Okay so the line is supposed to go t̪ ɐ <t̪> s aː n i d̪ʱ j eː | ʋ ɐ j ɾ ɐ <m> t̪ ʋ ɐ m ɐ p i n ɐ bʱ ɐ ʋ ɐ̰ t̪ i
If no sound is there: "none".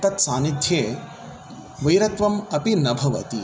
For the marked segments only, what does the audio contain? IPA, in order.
t̪, none

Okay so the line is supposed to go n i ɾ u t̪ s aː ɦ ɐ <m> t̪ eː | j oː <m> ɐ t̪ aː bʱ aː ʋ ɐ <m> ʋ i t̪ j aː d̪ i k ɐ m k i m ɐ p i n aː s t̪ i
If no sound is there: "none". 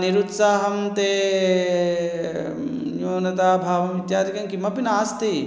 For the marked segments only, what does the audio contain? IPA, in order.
m, n, m

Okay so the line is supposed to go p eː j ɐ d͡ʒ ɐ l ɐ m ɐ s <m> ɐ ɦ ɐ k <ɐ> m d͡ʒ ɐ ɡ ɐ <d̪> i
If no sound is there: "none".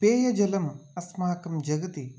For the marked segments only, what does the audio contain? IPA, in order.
m, ɐ, t̪

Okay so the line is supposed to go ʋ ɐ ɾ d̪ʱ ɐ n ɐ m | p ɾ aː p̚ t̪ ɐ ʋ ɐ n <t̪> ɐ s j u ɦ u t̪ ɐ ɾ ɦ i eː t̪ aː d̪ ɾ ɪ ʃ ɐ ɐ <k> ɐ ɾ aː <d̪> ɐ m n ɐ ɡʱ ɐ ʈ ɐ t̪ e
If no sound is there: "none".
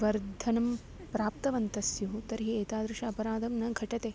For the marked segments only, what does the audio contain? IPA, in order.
t̪, p, d̪

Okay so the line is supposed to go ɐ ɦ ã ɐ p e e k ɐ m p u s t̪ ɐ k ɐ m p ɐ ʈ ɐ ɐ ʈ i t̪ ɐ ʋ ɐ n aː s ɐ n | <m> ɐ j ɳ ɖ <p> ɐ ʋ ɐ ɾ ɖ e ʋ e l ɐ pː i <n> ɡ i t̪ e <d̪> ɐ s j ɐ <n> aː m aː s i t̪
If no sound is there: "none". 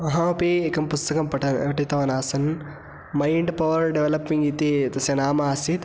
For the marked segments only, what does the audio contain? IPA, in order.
m, p, ŋ, t̪, n

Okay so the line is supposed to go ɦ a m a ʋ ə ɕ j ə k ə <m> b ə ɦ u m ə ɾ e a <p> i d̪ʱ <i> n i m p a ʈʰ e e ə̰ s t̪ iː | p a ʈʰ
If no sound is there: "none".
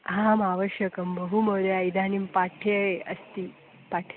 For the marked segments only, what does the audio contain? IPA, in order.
m, none, a

